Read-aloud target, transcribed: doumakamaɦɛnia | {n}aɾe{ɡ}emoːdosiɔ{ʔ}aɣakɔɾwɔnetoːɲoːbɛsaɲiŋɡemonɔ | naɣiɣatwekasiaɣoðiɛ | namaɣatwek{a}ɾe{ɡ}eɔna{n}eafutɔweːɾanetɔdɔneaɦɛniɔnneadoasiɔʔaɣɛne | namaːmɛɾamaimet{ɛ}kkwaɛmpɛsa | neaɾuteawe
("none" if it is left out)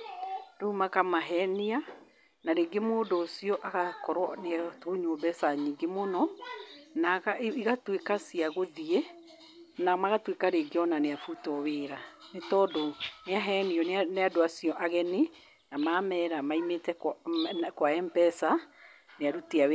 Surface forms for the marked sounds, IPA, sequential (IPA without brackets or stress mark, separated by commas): n, ɡ, ʔ, a, ɡ, n, ɛ